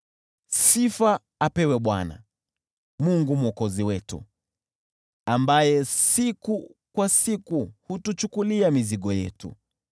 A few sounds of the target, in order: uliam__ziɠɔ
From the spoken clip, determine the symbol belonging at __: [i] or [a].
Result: i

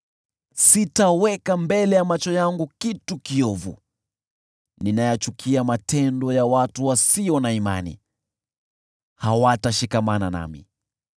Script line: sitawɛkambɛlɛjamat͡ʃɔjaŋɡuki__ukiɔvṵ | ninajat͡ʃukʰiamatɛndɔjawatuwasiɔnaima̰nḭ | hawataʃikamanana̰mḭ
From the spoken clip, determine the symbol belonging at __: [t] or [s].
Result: t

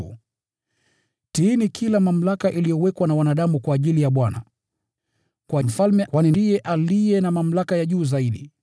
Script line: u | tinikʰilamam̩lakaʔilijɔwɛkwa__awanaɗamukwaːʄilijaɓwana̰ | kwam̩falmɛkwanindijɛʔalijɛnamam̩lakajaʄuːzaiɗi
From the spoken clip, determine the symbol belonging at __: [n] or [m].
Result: n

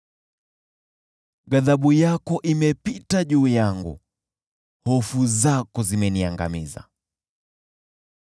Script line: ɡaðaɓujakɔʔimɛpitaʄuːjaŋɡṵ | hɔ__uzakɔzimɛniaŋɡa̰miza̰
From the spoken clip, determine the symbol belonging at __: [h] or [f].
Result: f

